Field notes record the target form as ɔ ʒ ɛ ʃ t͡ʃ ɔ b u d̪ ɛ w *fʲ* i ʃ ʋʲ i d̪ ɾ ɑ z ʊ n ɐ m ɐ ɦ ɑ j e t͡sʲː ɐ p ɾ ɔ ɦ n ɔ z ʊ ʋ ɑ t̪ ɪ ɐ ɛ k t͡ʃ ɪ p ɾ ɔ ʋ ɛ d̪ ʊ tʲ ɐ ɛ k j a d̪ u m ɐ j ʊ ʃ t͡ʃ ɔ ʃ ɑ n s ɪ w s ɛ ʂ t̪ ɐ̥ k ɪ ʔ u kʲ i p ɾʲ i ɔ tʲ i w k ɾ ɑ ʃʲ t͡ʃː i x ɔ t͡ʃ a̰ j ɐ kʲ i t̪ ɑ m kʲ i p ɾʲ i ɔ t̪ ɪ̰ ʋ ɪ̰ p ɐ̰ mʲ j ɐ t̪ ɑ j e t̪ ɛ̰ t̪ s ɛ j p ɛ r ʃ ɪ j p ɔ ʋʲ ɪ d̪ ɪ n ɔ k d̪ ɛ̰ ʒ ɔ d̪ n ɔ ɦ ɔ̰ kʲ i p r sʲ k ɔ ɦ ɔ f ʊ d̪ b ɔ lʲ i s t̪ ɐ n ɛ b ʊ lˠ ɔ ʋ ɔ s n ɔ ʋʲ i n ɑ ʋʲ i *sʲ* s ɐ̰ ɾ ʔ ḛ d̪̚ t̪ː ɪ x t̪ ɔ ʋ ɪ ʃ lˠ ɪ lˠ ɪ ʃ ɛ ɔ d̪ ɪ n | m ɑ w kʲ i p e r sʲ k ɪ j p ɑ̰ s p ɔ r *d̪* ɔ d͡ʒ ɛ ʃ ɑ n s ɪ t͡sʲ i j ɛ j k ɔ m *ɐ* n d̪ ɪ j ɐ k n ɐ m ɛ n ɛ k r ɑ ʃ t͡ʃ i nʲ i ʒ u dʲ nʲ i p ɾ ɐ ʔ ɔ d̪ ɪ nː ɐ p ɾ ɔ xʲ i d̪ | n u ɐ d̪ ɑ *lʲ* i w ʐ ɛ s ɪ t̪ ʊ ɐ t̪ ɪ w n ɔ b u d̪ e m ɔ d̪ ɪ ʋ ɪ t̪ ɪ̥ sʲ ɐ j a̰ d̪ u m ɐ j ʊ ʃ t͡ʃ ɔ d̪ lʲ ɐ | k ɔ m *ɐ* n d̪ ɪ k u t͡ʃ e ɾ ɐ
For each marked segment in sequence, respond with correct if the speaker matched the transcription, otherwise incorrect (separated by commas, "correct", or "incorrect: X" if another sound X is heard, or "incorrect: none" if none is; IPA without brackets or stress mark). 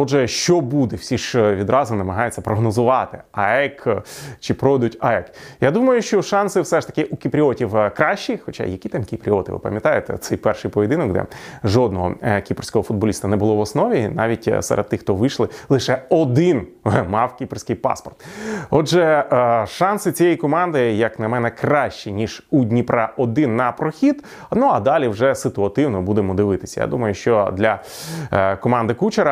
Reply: incorrect: sʲ, incorrect: tʲ, incorrect: t̪, incorrect: ɑ, correct, incorrect: ɑ